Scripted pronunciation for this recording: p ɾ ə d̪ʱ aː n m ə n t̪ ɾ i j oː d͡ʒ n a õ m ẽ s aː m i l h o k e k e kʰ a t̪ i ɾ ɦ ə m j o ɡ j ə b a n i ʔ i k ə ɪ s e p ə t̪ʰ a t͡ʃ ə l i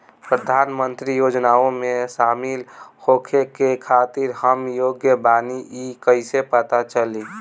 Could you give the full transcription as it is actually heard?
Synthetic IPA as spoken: p ɾ ə d̪ʱ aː n m ə n t̪ ɾ i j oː d͡ʒ n a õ m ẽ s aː m i l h o kʰ e k e kʰ a t̪ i ɾ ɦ ə m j o ɡ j ə b a n i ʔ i k ə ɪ s e p ə t̪ a t͡ʃ ə l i